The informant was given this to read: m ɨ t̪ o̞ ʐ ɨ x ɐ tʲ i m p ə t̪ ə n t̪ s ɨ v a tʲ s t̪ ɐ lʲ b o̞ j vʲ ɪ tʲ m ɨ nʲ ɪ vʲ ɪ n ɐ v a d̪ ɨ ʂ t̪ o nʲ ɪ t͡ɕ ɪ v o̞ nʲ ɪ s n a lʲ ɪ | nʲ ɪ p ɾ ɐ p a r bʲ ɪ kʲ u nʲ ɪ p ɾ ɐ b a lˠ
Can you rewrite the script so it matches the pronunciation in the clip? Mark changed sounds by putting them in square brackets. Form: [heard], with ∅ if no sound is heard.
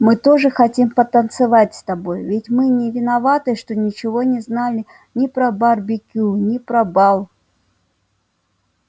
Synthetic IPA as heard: m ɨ t̪ o̞ ʐ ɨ x ɐ tʲ i m p ə t̪ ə n t̪ s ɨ v a tʲ s t̪ ɐ [∅] b o̞ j vʲ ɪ tʲ m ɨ nʲ ɪ vʲ ɪ n ɐ v a [t̪] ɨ ʂ t̪ o nʲ ɪ t͡ɕ ɪ v o̞ nʲ ɪ [z] n a lʲ ɪ | nʲ ɪ p ɾ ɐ [b] a r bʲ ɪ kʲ u nʲ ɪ p ɾ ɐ b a lˠ

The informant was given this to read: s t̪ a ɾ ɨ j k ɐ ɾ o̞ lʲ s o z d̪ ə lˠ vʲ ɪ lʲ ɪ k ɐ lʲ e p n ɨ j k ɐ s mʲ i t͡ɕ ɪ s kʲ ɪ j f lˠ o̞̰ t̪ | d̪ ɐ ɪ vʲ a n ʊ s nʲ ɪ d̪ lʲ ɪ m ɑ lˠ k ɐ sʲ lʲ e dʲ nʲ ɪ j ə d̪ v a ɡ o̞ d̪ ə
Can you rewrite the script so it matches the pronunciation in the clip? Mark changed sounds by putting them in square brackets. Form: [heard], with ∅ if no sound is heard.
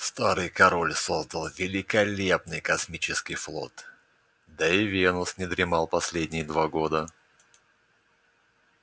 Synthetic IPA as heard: s t̪ a ɾ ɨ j k ɐ ɾ o̞ lʲ s o z d̪ ə lˠ vʲ ɪ lʲ ɪ k ɐ lʲ e p n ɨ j k ɐ s mʲ i t͡ɕ ɪ s kʲ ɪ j f lˠ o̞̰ t̪ | d̪ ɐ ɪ vʲ [e] n ʊ s nʲ ɪ d̪ [ɾʲ] ɪ m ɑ lˠ [p] ɐ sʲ lʲ e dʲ nʲ ɪ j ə d̪ v a ɡ o̞ d̪ ə

